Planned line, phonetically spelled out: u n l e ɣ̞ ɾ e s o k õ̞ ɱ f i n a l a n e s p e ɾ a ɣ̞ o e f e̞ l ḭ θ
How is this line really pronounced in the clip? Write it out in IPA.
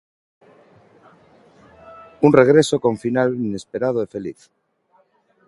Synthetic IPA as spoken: u n r e ɣ̞ ɾ e s o k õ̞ ɱ f i n a l i n e s p e ɾ a ð̞ o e f e̞ l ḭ θ

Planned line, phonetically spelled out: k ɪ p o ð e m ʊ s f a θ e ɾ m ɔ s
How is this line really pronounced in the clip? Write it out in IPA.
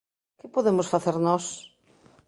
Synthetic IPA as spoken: k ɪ p o ð e m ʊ s f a θ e ɾ n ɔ s

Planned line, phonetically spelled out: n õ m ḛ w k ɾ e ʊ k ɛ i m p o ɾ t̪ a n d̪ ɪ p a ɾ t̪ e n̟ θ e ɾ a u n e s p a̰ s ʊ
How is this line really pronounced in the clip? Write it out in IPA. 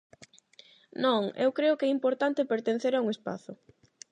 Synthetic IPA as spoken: n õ ŋ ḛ w k ɾ e ʊ k ɛ i m p o ɾ t̪ a n t̪ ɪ p e ɾ t̪ e n̟ θ e ɾ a u ŋ e s p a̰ θ ʊ

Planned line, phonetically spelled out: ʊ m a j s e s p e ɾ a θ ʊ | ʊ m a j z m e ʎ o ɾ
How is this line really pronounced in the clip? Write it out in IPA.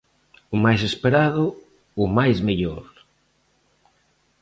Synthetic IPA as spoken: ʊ m a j s e s p e ɾ a ð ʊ | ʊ m a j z m e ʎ o ɾ

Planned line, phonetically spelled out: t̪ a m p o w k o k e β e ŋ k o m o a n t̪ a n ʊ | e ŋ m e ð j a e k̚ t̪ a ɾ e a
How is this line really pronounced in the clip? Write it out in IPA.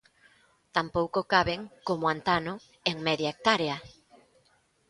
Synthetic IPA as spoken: t̪ a m p o w k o k a β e ŋ k o m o a n t̪ a n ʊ | e ŋ m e ð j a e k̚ t̪ a ɾ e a

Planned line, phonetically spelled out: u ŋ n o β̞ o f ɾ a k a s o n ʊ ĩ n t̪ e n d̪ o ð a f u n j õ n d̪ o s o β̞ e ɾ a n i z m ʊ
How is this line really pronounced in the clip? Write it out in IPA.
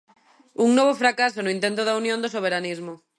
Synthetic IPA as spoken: u ŋ n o β̞ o f ɾ a k a s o n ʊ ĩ n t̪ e n t̪ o ð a u n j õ n d̪ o s o β̞ e ɾ a n i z m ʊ

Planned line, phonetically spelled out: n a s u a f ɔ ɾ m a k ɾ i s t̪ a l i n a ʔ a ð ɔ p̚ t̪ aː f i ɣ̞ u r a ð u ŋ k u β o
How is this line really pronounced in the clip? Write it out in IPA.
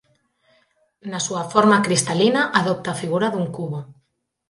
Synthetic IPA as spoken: n a s u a f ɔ ɾ m a k ɾ i s t̪ a l i n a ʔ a ð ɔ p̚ t̪ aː f i ɣ̞ u ɾ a ð u ŋ k u β o

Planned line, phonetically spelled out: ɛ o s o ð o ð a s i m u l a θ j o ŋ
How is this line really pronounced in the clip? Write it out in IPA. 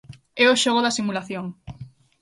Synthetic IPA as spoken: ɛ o ʃ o ɣ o ð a s i m u l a θ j o ŋ

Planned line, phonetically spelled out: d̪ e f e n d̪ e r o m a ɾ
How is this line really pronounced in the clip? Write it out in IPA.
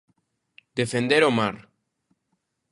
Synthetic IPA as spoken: d̪ e f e n d̪ e ɾ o m a ɾ

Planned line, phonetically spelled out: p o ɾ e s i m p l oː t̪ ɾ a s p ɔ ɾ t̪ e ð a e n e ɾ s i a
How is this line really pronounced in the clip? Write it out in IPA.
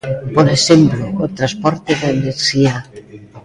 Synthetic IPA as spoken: p o ɾ e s e m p l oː t̪ ɾ a s p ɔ ɾ t̪ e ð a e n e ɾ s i a

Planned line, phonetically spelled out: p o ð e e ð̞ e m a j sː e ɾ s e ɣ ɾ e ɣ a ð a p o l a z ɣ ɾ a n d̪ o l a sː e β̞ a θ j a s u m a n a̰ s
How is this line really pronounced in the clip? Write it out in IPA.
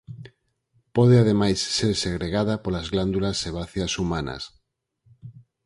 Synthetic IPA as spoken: p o ð e a ð̞ e m a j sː e ɾ s e ɣ ɾ e ɣ a ð a p o l a z ɣ l a n d̪ u l a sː e β̞ a θ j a s u m a n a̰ s

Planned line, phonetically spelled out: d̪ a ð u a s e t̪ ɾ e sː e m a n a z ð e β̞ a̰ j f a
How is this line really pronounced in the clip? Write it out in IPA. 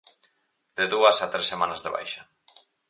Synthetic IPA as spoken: d̪ e ð u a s a t̪ ɾ e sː e m a n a z ð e β̞ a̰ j ʃ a

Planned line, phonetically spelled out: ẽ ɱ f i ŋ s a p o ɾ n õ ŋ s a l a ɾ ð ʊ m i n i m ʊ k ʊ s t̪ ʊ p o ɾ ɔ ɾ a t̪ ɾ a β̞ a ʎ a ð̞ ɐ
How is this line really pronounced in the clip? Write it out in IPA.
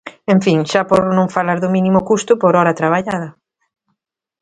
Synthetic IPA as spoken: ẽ ɱ f i ŋ ʃ a p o ɾ n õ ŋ f a l a ɾ ð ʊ m i n i m ʊ k u s t̪ ʊ p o ɾ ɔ ɾ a t̪ ɾ a β̞ a ʎ a ð̞ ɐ

